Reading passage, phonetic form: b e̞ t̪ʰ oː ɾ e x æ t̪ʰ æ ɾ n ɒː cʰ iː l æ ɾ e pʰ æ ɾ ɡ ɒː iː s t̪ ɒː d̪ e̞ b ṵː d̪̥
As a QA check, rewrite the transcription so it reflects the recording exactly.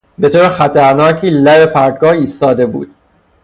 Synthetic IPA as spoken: b e̞ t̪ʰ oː ɾ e x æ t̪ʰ æ ɾ n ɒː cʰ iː l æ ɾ e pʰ æ ɾ ɡ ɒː iː s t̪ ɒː d̪ e̞ b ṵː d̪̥